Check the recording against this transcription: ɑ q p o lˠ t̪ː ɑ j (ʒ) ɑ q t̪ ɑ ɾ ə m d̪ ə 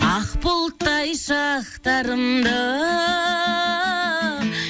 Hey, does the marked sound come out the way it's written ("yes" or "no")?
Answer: no